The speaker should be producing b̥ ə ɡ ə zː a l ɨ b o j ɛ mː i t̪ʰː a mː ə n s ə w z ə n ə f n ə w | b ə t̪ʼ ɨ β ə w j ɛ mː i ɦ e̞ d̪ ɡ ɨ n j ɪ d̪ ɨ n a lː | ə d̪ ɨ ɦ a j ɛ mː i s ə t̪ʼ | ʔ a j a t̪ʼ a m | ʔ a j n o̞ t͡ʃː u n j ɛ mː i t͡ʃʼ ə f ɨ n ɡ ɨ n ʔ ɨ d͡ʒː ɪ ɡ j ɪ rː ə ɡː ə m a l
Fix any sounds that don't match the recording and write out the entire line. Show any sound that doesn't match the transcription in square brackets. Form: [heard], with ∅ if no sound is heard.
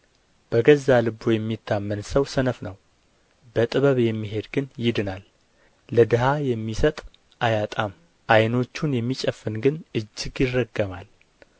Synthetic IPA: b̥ ə ɡ ə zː a l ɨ b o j ɛ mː i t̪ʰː a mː ə n s ə w [s] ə n ə f n ə w | b ə t̪ʼ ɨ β ə [β] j ɛ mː i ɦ e̞ d̪ ɡ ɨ n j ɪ d̪ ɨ n a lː | ə d̪ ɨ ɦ a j ɛ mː i s ə t̪ʼ | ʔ a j a t̪ʼ a m | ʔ a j n o̞ t͡ʃː u n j ɛ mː i t͡ʃʼ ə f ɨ n ɡ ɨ n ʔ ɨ d͡ʒː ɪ ɡ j ɪ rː ə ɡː ə m a l

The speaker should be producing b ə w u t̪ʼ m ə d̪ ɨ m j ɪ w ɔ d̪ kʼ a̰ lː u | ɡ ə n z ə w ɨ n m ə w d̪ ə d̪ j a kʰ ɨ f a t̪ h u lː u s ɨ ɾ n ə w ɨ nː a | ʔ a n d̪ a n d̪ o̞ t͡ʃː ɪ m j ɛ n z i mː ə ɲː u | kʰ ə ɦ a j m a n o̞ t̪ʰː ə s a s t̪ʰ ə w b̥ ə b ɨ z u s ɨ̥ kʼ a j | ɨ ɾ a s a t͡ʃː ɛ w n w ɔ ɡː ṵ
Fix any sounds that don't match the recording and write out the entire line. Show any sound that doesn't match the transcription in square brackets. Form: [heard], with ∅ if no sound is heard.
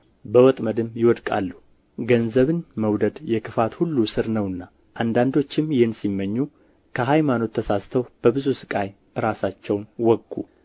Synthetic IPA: b ə w [ɔ] t̪ʼ m ə d̪ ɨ m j ɪ w ɔ d̪ kʼ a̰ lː u | ɡ ə n z ə [β] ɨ n m ə w d̪ ə d̪ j [ɛ] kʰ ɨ f a t̪ h u lː u s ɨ ɾ n ə w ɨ nː a | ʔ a n d̪ a n d̪ o̞ t͡ʃː ɪ m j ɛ n [s] i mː ə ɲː u | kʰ ə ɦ a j m a n o̞ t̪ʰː ə s a s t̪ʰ ə w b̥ ə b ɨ z u s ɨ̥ kʼ a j | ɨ ɾ a s a t͡ʃː ɛ w n w ɔ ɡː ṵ

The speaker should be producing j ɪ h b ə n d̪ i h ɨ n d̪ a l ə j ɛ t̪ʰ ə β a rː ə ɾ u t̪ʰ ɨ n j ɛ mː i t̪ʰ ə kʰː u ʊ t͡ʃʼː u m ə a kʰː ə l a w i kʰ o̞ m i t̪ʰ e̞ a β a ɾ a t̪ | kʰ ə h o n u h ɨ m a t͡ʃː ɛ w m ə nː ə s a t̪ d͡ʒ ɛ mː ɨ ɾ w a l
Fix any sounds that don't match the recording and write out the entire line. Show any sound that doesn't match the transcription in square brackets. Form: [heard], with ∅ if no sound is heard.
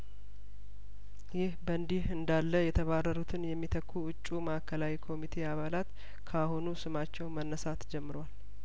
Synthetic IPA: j ɪ h b ə n d̪ i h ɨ n d̪ a [lː] ə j ɛ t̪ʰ ə β a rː ə ɾ u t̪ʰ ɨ n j ɛ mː i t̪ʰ ə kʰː u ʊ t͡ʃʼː u m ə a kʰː ə l a w i kʰ o̞ m i t̪ʰ e̞ a β a [l] a t̪ | kʰ [a] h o n u [s] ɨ m a t͡ʃː ɛ w m ə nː ə s a t̪ d͡ʒ ɛ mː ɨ ɾ w a l

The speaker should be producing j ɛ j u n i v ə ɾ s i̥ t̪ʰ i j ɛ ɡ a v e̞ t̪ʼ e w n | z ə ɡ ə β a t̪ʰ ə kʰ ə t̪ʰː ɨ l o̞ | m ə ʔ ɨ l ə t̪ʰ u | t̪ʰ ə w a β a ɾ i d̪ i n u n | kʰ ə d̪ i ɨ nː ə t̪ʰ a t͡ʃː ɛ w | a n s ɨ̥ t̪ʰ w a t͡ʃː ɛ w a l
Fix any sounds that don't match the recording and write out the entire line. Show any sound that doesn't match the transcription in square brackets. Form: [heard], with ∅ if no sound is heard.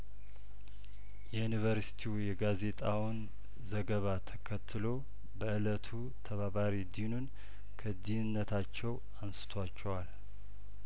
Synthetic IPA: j ɛ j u n i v ə ɾ s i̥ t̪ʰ i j ɛ ɡ a [z] e̞ t̪ʼ [a] w n | z ə ɡ ə β a t̪ʰ ə kʰ ə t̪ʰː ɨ l o̞ | [b] ə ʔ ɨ l ə t̪ʰ u | t̪ʰ ə [β] a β a ɾ i d̪ i n u n | kʰ ə d̪ i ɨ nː ə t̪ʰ a t͡ʃː ɛ w | a n s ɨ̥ t̪ʰ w a t͡ʃː ɛ w a l

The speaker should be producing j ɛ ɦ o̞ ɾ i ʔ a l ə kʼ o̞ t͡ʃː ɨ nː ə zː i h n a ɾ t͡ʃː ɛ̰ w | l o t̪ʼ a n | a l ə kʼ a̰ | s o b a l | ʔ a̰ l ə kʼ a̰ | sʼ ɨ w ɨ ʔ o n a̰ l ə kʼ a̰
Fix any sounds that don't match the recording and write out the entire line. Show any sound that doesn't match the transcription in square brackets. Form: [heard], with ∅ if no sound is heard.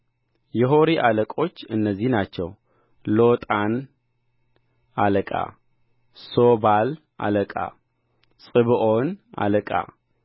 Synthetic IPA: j ɛ ɦ o̞ ɾ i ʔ a l ə kʼ o̞ t͡ʃː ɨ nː ə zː i h n a [∅] t͡ʃː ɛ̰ w | l o t̪ʼ a n | a l ə kʼ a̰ | s o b a l | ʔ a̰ l ə kʼ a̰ | sʼ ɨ [β] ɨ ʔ o n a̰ l ə kʼ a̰

